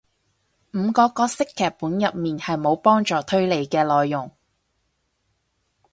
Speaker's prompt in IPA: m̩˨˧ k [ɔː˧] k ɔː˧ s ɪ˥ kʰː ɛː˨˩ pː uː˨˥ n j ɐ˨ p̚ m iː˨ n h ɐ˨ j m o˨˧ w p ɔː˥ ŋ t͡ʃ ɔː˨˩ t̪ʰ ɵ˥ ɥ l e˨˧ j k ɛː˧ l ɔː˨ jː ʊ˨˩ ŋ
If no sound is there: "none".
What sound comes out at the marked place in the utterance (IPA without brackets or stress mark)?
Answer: ɔː˧